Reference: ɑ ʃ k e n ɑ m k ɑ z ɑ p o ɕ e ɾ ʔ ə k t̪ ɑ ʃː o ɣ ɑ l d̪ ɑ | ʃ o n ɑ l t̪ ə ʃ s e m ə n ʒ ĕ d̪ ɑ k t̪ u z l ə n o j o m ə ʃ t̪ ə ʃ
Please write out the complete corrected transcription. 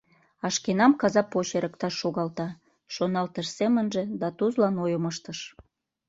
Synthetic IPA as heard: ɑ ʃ k e n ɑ m k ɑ z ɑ p o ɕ e ɾ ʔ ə k t̪ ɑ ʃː o ɣ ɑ l t̪ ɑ | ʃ o n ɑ l t̪ ə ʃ s e m ə n ʒ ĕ d̪ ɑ t̪ u z l ɑ n o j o m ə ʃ t̪ ə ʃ